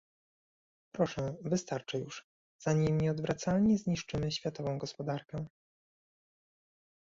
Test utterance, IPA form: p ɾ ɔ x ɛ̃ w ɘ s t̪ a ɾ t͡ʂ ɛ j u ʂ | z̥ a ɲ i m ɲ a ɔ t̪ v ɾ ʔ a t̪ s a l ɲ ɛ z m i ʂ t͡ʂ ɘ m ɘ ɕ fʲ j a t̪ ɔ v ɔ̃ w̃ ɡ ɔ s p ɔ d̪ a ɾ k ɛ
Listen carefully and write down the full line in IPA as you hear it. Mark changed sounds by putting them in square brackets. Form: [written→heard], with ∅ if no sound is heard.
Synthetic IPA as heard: p ɾ ɔ [x→ʂ] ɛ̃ [w→v] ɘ s t̪ a ɾ t͡ʂ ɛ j u ʂ | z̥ a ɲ i m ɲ [a→ɛ] ɔ [t̪→d̪] v ɾ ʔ a t̪ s a l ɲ ɛ z [m→ɲ] i ʂ t͡ʂ ɘ m ɘ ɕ fʲ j a t̪ ɔ v ɔ̃ w̃ ɡ ɔ s p ɔ d̪ a ɾ k ɛ